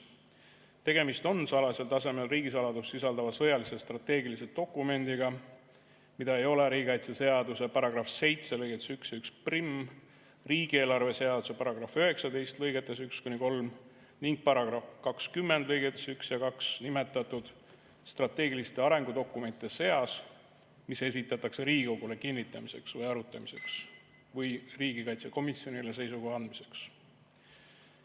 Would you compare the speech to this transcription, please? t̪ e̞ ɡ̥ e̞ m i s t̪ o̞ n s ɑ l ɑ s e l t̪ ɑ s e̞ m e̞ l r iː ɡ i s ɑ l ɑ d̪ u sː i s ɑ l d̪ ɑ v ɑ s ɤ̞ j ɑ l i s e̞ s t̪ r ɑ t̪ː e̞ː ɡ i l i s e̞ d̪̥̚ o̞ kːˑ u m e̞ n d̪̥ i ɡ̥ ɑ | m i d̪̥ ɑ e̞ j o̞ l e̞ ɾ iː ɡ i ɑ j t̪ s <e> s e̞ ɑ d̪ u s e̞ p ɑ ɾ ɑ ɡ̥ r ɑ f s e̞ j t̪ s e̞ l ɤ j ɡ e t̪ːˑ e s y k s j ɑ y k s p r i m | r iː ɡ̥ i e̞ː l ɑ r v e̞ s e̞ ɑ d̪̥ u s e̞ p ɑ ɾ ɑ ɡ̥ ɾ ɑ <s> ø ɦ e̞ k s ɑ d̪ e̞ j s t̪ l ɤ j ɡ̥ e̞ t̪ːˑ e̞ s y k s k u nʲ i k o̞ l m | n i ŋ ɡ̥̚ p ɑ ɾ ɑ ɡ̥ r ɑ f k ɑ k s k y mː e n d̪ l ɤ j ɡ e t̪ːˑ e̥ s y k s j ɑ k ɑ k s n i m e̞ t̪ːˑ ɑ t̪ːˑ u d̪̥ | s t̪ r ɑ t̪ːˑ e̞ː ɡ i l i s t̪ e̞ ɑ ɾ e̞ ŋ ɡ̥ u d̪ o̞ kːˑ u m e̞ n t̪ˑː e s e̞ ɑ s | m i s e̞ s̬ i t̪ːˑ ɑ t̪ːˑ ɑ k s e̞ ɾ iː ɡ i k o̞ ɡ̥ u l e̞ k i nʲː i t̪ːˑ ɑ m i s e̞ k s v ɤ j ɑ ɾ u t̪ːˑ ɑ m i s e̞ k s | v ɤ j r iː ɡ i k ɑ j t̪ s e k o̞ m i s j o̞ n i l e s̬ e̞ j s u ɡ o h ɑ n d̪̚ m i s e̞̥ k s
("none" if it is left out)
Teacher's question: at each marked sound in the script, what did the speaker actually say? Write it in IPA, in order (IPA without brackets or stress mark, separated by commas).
e, f